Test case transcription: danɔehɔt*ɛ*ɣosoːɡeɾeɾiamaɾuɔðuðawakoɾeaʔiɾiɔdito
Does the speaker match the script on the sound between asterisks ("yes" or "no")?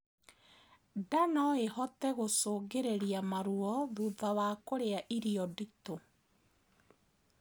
yes